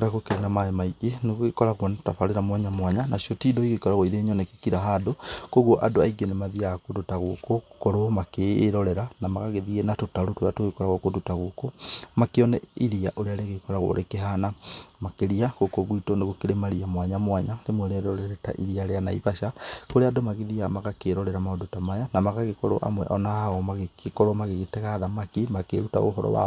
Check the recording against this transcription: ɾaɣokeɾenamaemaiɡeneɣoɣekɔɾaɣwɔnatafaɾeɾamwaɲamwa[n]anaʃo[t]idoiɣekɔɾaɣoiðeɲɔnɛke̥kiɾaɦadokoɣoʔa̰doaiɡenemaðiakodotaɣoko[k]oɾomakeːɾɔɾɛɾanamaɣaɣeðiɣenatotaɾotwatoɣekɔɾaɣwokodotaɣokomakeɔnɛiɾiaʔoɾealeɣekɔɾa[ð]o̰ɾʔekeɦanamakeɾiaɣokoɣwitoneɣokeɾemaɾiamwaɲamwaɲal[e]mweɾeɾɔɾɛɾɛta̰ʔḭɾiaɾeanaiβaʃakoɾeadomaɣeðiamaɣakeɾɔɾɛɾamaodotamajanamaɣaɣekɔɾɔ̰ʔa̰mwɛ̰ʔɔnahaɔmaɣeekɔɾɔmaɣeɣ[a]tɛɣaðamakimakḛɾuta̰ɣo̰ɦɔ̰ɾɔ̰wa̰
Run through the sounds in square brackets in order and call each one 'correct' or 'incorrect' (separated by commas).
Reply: incorrect, correct, correct, incorrect, correct, incorrect